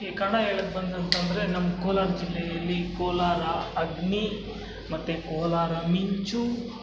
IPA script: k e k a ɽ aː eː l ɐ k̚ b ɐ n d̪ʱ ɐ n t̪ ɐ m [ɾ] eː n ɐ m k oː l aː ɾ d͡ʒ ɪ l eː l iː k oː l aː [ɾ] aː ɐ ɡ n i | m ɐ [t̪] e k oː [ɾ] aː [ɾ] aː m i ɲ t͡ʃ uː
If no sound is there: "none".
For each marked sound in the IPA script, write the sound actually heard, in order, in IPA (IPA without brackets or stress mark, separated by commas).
ɾ, ɾ, t̪, l, ɾ